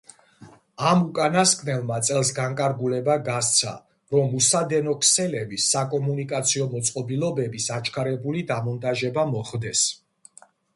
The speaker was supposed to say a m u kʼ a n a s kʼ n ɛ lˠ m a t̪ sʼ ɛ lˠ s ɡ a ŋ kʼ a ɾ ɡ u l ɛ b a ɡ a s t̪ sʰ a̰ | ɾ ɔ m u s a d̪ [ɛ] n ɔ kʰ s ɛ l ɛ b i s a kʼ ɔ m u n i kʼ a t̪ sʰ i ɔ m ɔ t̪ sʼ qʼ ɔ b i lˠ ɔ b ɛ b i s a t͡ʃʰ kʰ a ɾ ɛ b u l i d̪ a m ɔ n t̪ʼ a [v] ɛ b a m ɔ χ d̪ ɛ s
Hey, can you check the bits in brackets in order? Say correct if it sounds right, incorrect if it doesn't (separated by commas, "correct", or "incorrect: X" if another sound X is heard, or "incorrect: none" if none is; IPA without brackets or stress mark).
correct, incorrect: ʒ